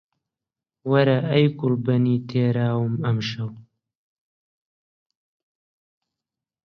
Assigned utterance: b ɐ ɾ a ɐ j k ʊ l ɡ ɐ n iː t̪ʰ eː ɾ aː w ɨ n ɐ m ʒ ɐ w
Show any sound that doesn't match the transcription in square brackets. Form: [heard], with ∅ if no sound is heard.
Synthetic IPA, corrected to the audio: [w] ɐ ɾ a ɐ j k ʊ l [b] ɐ n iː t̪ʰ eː ɾ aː w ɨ [m] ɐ m [ʃ] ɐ w